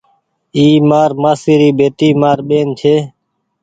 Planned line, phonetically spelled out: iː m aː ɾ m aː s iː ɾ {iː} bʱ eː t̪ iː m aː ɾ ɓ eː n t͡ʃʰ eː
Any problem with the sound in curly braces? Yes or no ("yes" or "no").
no